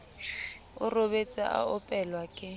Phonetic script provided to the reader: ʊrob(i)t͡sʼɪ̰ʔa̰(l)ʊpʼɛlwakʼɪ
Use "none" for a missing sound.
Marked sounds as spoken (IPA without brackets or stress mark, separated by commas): e, none